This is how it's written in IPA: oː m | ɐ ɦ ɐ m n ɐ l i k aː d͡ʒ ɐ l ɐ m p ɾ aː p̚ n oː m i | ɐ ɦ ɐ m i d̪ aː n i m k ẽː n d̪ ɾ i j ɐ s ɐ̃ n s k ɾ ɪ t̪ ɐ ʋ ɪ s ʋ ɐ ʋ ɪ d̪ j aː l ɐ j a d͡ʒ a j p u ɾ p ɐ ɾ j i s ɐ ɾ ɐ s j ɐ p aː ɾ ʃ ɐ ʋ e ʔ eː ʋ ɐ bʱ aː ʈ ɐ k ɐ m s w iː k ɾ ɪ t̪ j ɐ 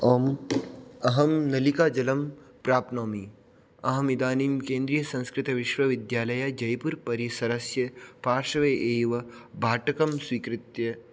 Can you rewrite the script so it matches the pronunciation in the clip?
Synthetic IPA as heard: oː m | ɐ ɦ ɐ m n ɐ l i k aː d͡ʒ ɐ l ɐ m p ɾ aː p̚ n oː m i | ɐ ɦ ɐ m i d̪ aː n i m k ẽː n d̪ ɾ i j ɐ s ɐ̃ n s k ɾ ɪ t̪ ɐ ʋ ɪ ʃ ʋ ɐ ʋ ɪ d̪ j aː l ɐ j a d͡ʒ ɐ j p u ɾ p ɐ ɾ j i s ɐ ɾ ɐ s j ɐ p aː ɾ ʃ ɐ ʋ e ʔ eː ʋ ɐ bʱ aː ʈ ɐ k ɐ m s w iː k ɾ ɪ t̪ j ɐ